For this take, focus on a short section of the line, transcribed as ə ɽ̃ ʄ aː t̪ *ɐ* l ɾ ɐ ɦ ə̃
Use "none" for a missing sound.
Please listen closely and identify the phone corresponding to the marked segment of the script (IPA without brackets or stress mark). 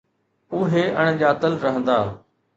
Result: ə